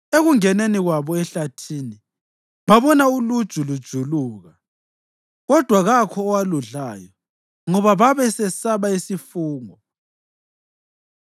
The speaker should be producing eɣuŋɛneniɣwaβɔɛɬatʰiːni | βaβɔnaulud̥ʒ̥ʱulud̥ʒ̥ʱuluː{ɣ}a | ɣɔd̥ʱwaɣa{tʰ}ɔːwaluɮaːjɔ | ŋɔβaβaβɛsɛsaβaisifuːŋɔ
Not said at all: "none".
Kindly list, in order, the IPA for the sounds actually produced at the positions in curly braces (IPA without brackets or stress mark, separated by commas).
ɣ, kʰ